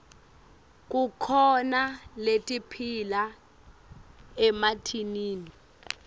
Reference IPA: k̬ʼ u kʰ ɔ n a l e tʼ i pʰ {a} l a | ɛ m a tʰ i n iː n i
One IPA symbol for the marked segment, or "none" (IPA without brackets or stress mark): i